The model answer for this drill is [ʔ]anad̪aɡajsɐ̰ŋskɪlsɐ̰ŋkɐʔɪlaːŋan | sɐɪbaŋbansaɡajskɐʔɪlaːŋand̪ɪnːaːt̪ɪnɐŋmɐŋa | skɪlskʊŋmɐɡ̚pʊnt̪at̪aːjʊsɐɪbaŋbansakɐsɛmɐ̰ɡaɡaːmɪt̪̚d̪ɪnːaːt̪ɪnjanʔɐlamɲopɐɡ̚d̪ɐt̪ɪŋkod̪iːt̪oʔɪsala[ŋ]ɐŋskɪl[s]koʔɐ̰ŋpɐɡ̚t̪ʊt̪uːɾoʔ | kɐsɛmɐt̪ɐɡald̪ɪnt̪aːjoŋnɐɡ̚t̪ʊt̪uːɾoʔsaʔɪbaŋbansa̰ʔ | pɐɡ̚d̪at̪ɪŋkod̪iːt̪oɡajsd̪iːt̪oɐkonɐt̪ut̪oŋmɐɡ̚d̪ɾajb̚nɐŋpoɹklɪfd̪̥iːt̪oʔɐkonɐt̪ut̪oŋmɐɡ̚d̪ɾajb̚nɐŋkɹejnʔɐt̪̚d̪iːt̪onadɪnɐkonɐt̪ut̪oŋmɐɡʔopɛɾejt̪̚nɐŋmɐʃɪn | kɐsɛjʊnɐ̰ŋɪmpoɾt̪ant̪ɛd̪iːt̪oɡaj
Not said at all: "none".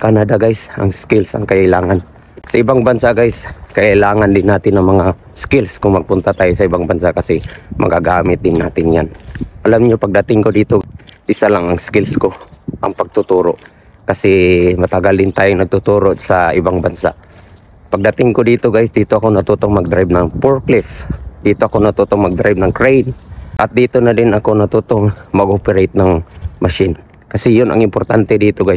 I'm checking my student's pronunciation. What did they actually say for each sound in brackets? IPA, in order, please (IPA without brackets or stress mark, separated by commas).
k, ŋ, s